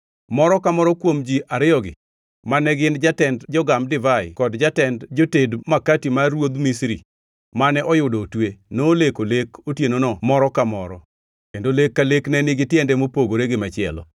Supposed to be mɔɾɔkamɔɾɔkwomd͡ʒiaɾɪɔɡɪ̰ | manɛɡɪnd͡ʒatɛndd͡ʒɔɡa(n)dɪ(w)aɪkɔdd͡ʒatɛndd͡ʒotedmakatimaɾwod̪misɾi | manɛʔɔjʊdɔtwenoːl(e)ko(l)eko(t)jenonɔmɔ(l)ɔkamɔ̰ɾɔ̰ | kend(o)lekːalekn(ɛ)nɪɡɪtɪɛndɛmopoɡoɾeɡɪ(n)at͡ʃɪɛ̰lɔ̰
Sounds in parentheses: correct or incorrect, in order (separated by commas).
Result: incorrect, incorrect, correct, correct, correct, incorrect, correct, correct, incorrect